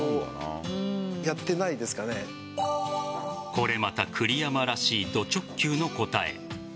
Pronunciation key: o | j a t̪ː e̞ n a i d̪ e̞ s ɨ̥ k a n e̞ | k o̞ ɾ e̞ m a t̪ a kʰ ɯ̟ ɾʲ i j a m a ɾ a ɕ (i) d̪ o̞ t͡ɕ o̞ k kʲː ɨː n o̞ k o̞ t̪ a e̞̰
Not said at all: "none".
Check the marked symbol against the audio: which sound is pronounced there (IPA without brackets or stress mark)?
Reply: iː